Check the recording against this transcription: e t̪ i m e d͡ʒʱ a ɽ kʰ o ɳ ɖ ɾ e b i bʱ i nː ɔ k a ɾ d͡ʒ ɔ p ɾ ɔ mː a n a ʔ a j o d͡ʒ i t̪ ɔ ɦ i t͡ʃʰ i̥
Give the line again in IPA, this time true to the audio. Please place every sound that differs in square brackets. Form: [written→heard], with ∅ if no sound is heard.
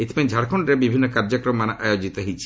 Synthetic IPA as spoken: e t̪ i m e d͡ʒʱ a ɽ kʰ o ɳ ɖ ɾ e b i bʱ i nː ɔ k a ɾ d͡ʒ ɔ [p→k] ɾ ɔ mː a n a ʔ a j o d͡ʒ i t̪ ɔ ɦ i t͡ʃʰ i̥